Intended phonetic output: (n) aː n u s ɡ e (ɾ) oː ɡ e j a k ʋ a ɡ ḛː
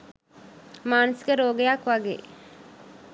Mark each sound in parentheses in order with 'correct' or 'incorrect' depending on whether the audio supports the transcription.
incorrect: m, correct

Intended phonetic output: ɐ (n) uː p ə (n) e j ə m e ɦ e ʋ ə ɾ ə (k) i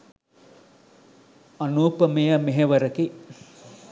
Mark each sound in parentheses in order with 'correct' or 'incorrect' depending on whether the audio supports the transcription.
correct, incorrect: m, correct

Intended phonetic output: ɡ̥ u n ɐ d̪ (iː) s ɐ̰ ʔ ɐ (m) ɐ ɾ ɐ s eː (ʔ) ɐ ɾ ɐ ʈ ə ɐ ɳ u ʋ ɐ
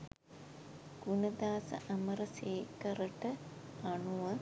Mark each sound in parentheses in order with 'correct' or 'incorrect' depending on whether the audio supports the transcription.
incorrect: aː, correct, incorrect: k

